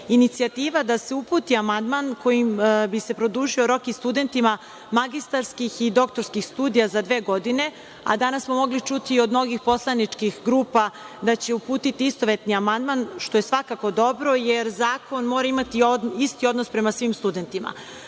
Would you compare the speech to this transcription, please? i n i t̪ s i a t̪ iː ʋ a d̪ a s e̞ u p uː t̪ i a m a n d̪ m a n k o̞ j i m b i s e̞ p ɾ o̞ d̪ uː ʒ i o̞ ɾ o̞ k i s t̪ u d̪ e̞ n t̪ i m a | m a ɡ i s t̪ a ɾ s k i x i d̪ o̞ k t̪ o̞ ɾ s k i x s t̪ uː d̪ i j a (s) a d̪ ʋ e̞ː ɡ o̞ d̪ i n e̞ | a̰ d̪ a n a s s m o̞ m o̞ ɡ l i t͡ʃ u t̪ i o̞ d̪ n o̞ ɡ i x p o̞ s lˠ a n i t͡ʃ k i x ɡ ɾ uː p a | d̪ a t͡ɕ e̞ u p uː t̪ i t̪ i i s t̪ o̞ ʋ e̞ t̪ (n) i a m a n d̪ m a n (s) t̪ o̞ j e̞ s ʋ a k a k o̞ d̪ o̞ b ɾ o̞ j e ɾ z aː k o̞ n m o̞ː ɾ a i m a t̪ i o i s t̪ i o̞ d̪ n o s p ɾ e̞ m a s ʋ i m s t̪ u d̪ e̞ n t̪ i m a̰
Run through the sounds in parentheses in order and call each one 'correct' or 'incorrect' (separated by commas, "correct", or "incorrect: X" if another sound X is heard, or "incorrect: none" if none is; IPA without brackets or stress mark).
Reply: incorrect: z, correct, incorrect: ʃ